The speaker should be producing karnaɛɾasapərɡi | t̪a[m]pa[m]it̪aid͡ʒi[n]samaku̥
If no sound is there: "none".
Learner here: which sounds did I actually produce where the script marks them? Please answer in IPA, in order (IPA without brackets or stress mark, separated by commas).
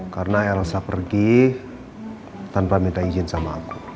n, m, n